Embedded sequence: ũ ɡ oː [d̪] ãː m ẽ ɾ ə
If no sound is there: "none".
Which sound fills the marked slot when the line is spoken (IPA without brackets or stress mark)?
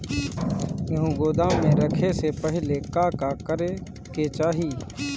d̪